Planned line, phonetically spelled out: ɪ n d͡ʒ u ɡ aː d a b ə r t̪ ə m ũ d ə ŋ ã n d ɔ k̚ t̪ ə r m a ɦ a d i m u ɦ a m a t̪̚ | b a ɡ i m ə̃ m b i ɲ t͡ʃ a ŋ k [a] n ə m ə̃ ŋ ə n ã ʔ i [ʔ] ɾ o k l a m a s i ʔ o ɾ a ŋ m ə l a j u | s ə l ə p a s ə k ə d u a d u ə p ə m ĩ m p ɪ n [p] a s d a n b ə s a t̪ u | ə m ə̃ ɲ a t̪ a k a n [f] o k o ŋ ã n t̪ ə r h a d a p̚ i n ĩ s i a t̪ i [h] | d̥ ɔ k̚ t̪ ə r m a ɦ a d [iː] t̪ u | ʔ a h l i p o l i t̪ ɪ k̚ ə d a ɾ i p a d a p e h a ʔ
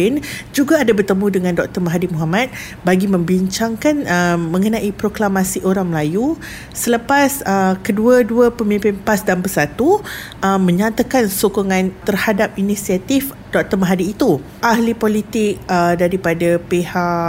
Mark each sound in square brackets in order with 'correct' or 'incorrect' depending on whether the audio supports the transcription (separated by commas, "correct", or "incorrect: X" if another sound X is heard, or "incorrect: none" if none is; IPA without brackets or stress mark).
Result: correct, incorrect: p, correct, incorrect: s, incorrect: f, correct